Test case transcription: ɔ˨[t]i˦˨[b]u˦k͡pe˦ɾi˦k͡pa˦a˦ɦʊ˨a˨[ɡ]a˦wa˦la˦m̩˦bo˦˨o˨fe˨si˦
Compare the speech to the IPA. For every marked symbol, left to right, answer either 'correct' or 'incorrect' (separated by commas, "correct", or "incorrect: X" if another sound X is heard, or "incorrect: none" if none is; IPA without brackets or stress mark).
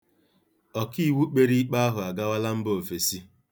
incorrect: k, incorrect: w, correct